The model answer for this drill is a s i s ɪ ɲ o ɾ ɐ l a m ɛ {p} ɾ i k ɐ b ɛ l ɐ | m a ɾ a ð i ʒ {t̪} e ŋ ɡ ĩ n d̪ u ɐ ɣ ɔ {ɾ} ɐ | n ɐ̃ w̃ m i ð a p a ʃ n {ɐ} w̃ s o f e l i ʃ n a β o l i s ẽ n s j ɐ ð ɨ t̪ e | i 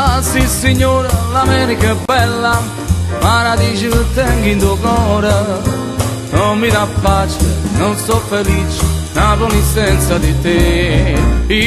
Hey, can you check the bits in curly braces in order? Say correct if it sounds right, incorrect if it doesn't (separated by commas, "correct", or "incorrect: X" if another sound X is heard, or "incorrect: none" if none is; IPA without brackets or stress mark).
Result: incorrect: none, correct, correct, incorrect: ɐ̃